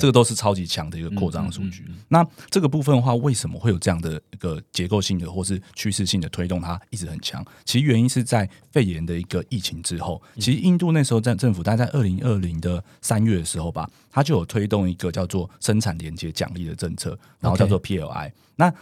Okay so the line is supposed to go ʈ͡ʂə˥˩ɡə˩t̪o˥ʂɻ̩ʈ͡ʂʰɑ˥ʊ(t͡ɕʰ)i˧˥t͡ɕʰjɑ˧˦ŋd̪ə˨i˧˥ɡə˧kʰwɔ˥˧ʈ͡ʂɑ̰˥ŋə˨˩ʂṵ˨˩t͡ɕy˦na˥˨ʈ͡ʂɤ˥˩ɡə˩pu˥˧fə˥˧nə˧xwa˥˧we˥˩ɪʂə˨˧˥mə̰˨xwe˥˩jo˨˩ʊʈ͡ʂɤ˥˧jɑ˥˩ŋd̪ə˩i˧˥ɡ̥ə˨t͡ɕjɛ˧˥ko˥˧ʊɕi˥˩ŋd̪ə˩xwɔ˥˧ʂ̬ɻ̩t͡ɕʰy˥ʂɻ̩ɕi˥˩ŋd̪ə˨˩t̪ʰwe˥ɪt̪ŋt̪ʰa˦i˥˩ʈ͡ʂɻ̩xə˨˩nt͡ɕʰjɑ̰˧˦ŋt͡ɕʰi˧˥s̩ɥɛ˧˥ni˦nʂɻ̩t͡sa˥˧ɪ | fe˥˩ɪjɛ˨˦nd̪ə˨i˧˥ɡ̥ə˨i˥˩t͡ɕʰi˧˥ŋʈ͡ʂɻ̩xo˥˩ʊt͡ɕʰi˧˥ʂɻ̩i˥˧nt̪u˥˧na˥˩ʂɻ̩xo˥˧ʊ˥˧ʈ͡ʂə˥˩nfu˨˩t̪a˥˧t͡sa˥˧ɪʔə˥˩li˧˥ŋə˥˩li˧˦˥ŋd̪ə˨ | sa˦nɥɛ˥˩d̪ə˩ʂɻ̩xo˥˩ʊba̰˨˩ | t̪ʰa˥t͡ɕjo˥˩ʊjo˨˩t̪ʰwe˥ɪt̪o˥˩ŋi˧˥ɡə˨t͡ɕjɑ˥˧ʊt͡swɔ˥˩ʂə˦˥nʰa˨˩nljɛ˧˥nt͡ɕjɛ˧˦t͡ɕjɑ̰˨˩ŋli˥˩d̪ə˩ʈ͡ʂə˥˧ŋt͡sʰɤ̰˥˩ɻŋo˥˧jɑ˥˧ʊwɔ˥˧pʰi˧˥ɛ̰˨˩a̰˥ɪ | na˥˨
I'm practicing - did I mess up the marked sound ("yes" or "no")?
yes